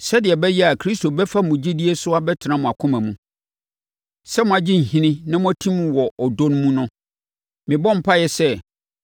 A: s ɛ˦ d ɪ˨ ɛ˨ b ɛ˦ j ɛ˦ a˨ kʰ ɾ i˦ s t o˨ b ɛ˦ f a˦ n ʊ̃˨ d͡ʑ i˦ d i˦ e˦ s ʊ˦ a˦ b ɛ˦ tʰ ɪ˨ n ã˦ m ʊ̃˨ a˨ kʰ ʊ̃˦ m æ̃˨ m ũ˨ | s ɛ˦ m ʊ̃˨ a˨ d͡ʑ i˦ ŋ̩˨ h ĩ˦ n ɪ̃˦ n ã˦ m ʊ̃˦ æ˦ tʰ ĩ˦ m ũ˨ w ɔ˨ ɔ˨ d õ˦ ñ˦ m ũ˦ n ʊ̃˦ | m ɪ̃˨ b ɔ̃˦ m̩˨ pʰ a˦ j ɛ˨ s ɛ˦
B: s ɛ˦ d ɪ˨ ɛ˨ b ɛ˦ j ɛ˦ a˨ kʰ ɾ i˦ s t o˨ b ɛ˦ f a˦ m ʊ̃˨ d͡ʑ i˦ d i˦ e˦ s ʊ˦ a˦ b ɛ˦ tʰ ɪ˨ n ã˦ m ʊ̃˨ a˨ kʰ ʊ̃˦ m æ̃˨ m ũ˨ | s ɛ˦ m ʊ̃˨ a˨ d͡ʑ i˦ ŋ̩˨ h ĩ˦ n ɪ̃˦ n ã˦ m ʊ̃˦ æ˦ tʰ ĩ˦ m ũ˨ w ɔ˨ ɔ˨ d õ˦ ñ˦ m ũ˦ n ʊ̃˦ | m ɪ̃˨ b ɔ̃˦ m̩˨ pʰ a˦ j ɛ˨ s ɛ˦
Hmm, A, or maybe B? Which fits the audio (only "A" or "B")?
B